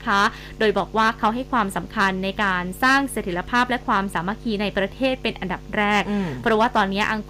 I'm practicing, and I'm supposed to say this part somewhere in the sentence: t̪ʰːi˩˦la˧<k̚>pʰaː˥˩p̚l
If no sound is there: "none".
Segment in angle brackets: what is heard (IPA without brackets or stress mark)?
none